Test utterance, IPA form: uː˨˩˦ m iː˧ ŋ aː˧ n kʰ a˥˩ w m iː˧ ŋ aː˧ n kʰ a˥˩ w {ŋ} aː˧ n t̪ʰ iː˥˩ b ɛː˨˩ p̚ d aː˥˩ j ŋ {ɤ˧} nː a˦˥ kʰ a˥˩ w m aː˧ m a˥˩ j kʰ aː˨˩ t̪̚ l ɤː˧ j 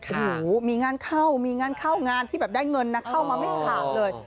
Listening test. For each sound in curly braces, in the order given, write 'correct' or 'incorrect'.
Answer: correct, correct

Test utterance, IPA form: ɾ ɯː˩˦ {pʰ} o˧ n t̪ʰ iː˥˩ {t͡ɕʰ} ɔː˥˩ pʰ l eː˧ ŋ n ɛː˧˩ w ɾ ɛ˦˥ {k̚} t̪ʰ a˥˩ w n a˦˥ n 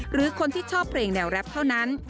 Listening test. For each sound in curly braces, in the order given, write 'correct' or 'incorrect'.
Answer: incorrect: kʰ, correct, incorrect: p̚

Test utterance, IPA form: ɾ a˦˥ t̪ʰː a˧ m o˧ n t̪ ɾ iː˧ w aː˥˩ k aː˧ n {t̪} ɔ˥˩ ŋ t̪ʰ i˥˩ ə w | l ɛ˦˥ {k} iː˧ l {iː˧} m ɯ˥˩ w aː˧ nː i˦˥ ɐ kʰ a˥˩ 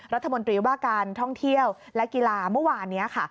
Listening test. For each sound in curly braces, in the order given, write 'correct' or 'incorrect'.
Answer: incorrect: t̪ʰ, correct, incorrect: aː˧

